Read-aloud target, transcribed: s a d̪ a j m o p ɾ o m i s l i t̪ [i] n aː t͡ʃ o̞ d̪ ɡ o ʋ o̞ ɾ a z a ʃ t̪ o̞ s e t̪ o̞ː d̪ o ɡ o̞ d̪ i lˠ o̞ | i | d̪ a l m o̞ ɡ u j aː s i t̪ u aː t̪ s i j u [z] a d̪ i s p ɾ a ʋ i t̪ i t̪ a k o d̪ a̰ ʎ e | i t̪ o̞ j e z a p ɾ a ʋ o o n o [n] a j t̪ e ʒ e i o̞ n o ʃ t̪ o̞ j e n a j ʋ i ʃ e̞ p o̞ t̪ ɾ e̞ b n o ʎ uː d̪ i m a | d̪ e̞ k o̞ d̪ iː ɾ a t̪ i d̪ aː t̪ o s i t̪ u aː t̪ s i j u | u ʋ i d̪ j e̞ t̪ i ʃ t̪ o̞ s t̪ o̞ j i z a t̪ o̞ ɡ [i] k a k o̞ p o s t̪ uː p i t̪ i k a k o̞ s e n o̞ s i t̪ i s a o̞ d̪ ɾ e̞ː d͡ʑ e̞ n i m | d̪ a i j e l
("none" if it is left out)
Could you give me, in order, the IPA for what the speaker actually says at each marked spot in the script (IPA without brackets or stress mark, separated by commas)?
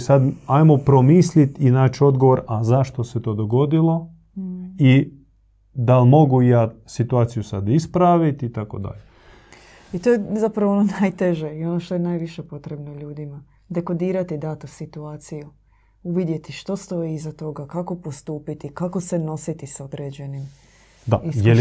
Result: i, s, n, a